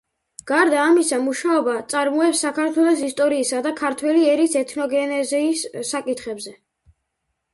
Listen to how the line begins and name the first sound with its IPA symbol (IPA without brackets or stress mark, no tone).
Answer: ɡ̥